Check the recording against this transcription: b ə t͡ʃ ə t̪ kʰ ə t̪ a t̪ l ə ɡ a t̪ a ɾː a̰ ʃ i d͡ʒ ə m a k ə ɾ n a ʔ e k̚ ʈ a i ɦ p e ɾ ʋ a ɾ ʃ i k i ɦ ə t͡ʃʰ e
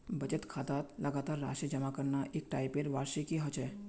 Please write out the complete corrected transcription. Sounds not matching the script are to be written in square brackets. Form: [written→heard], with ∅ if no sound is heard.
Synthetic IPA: b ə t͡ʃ ə t̪ kʰ [ə→a] t̪ a t̪ l ə ɡ a t̪ a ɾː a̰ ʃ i d͡ʒ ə m a k ə ɾ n a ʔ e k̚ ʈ a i [ɦ→∅] p e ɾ ʋ a ɾ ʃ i k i ɦ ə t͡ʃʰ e